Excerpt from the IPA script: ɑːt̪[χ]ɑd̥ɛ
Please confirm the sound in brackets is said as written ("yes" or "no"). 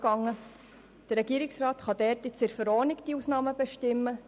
yes